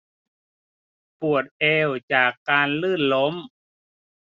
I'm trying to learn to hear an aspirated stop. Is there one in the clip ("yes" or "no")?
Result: no